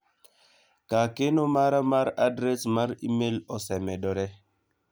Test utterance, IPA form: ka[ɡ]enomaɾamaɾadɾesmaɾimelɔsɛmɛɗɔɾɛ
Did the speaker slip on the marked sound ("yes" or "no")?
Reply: yes